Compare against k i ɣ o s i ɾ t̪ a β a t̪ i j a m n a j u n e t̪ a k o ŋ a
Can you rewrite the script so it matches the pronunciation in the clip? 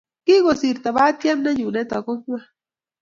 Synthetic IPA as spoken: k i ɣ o s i ɾ t̪ a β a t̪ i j a m n a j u n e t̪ a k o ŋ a